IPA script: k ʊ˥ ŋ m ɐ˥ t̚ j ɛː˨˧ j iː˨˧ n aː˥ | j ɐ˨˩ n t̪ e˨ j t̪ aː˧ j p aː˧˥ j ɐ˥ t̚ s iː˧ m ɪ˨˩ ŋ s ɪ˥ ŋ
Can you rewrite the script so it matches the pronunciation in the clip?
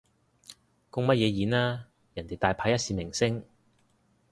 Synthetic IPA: k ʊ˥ ŋ m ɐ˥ t̚ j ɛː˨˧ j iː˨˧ n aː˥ | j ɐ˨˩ n t̪ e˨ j t̪ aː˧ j pʰ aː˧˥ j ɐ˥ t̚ s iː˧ m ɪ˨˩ ŋ s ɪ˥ ŋ